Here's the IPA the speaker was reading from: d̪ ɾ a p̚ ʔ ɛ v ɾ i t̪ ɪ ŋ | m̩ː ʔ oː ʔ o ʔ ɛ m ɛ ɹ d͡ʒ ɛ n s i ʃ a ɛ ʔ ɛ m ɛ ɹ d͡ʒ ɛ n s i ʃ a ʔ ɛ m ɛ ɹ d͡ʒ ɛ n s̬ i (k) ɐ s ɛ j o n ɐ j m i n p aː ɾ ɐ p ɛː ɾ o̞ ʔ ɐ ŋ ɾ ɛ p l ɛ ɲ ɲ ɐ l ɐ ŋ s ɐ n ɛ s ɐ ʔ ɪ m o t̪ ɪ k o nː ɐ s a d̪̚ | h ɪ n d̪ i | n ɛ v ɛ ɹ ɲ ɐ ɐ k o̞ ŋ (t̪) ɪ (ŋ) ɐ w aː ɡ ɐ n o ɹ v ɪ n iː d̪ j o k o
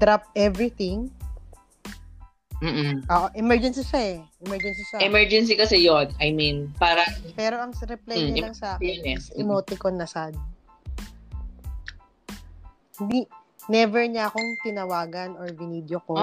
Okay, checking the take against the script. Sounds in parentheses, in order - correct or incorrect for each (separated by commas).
correct, correct, incorrect